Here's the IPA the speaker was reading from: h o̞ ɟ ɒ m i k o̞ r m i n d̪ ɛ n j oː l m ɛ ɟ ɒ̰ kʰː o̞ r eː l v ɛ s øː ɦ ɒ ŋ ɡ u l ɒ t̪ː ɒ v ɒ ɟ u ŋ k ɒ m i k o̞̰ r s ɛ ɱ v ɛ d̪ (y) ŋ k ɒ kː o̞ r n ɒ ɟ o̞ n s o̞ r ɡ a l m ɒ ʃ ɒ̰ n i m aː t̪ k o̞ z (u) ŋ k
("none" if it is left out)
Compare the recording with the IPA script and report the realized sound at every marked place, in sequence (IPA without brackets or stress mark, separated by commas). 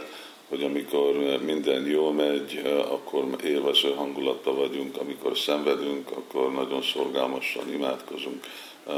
y, u